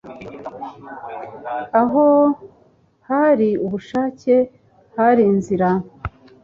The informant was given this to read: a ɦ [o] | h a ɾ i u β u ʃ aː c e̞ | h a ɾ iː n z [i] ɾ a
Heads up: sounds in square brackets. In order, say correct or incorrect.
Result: correct, correct

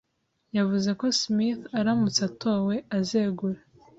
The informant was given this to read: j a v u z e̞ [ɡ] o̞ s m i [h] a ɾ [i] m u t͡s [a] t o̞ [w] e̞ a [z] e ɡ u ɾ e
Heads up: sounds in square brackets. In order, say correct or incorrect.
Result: incorrect: k, incorrect: θ, incorrect: a, correct, correct, correct

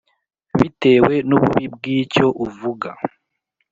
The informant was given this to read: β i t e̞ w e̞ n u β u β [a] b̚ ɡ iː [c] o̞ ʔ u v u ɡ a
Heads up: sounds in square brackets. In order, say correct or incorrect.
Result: incorrect: i, correct

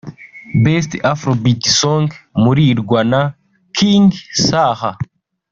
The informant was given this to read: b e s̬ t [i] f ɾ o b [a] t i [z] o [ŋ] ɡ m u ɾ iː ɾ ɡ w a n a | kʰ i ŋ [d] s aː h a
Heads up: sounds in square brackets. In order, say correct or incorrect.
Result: incorrect: a, incorrect: i, incorrect: s, correct, incorrect: ɡ

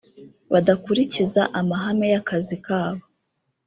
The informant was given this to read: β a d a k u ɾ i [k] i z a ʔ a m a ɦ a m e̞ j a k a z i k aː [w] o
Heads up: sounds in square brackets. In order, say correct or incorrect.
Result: incorrect: c, incorrect: β

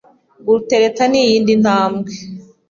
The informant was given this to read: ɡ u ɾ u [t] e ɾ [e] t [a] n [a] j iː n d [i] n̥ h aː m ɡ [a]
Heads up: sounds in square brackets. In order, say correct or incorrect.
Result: correct, correct, correct, incorrect: i, correct, incorrect: e

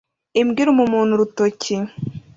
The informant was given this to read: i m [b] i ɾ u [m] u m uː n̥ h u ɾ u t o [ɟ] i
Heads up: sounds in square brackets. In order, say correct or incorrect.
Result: incorrect: ɡ, correct, incorrect: c

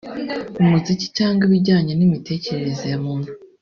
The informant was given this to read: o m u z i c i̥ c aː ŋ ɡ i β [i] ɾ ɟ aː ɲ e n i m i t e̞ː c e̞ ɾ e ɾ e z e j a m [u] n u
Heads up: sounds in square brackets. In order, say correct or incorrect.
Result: correct, incorrect: uː

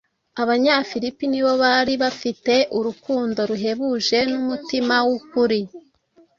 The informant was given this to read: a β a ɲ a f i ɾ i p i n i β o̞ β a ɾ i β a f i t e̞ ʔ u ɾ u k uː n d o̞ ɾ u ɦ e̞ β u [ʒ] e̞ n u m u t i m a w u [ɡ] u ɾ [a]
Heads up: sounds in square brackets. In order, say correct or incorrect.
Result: correct, incorrect: k, incorrect: i

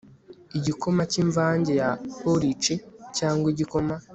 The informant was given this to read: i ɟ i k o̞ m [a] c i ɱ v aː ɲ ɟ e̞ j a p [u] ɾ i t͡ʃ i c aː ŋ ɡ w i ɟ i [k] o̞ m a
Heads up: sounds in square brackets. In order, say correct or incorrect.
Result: correct, incorrect: o, correct

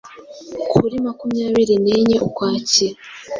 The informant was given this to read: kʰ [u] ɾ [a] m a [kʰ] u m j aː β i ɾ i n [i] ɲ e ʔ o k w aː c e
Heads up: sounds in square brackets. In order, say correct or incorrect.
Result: correct, incorrect: i, incorrect: k, incorrect: e

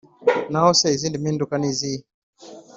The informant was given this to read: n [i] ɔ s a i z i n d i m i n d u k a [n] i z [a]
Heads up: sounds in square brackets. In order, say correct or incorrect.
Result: incorrect: a, correct, incorrect: i

